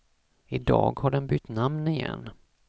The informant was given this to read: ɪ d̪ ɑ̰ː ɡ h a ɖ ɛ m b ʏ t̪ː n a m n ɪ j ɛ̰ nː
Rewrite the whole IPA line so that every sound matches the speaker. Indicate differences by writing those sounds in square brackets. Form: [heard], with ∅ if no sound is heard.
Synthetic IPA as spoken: ɪ d̪ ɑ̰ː ɡ h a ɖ ɛ [n] b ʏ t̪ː n a m n ɪ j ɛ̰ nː